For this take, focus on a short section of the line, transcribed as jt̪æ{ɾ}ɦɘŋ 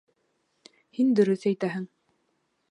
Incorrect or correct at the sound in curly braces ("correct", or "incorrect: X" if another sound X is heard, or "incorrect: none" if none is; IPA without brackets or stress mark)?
incorrect: none